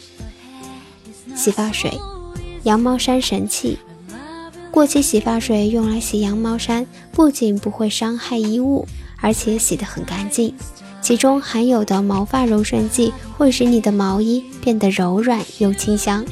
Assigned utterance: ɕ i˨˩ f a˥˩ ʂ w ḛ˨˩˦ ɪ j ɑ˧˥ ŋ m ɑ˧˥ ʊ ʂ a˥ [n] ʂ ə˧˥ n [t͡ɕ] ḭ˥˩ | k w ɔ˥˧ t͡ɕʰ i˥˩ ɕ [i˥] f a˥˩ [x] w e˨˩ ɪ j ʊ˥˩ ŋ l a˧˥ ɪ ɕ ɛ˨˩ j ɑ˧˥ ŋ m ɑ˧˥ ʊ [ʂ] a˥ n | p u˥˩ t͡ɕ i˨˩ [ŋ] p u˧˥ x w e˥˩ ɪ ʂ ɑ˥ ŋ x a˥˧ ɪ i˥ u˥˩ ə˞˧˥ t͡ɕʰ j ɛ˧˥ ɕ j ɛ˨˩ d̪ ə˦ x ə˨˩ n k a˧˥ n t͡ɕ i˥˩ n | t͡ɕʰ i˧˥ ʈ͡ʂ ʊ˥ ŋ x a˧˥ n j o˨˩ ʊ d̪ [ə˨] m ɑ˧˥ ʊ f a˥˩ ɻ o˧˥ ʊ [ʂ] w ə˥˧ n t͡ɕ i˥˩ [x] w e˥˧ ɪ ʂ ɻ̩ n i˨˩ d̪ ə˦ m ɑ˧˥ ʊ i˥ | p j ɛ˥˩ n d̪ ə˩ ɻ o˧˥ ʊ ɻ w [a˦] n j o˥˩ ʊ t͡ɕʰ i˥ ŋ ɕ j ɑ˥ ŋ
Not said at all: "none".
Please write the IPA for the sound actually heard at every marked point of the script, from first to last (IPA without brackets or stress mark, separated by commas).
n, t͡ɕʰ, i˨˩, ʂ, ʂ, n, ə˦, ʂ, x, a˨˩